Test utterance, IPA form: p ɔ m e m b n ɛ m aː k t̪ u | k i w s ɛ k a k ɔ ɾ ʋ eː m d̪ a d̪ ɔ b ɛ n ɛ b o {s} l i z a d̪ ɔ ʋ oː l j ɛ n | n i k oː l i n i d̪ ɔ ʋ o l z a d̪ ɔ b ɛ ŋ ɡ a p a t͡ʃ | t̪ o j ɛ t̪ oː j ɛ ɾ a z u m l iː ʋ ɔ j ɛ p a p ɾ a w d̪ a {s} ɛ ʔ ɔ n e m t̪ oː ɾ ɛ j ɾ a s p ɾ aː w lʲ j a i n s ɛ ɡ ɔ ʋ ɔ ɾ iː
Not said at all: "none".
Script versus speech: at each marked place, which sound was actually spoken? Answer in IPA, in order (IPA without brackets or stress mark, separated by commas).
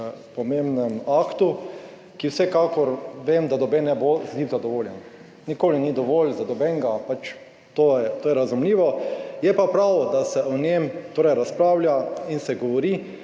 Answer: z, s